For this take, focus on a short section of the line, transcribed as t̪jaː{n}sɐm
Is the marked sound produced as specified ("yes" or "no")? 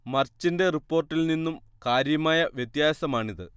no